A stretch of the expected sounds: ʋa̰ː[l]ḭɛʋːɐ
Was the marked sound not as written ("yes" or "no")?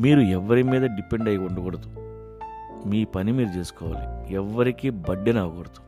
no